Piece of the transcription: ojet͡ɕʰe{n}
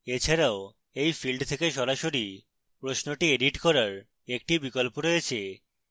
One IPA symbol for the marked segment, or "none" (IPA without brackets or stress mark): none